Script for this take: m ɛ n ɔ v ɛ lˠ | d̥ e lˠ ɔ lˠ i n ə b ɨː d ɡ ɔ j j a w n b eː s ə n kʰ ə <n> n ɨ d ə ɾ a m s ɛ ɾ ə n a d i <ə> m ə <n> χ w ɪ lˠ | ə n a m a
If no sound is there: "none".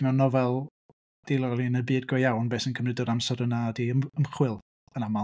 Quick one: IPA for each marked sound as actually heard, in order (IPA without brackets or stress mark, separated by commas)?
m, ə, m